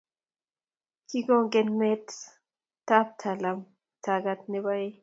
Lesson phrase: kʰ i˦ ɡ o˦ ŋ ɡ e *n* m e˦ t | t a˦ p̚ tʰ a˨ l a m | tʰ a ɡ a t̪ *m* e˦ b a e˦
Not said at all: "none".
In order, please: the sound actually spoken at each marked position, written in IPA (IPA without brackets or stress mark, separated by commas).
n, n